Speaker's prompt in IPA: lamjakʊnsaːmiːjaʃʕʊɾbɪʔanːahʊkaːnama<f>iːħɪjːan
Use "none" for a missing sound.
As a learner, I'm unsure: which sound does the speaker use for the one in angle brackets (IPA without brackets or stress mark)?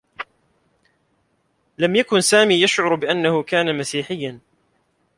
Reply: s